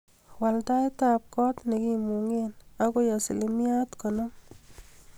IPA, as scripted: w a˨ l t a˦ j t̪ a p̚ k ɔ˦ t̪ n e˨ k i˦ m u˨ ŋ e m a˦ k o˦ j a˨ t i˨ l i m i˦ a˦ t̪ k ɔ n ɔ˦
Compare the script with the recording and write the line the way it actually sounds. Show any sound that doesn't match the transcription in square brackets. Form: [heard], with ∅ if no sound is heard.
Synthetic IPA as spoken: w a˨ l t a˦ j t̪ a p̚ k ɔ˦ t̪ n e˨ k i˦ m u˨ ŋ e [n] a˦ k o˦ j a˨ [s] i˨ l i m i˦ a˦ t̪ k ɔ n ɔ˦